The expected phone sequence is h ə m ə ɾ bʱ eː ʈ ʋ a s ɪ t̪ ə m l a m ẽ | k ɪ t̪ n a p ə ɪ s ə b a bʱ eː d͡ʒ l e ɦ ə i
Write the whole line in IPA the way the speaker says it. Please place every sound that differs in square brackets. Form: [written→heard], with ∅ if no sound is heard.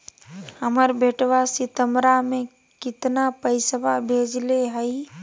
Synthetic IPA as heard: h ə m ə ɾ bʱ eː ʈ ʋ a s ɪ t̪ ə m [l→ɾ] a m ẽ | k ɪ t̪ n a p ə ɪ s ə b a bʱ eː d͡ʒ l e ɦ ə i